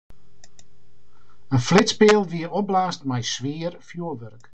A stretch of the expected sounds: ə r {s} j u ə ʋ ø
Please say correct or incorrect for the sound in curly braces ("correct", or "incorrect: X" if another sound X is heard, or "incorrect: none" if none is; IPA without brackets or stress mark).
incorrect: f